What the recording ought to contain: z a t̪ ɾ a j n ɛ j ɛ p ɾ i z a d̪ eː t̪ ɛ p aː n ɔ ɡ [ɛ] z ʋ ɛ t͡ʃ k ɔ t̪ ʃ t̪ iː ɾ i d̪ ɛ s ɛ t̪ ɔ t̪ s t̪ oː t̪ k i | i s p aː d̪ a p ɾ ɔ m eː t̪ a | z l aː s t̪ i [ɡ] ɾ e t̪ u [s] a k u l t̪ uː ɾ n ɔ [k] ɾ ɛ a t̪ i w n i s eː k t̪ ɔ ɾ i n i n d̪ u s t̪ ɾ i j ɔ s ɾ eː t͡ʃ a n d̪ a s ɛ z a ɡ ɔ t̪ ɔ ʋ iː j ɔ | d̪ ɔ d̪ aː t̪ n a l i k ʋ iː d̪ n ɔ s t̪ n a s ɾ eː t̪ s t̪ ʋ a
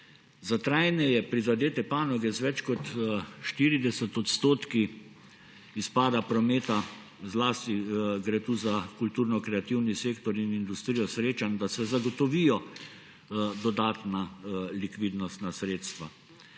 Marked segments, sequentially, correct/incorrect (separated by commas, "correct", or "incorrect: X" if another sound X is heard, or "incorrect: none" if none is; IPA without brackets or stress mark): correct, correct, incorrect: z, correct